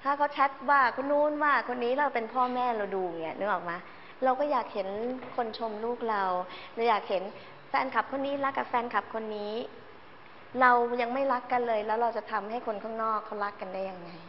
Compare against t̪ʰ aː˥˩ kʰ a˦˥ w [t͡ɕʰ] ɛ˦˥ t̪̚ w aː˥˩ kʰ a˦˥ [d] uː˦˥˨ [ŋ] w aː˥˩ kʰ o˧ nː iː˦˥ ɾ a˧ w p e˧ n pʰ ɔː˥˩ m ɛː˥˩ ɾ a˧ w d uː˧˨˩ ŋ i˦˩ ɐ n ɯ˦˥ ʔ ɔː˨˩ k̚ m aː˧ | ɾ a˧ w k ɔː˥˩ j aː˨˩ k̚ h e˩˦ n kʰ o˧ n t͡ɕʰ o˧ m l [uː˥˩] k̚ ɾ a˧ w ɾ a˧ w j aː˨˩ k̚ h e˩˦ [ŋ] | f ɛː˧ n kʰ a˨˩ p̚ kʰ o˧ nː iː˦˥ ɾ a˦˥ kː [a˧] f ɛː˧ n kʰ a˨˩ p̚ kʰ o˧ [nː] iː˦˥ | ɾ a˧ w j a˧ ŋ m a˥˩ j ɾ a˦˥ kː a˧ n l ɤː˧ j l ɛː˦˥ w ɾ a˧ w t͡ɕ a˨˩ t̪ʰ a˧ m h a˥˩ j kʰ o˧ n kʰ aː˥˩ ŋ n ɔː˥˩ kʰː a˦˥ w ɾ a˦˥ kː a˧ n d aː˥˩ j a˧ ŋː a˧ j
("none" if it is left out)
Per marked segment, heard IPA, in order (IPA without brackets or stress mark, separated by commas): t͡ɕʰ, n, n, uː˥˩, n, a˨˩, nː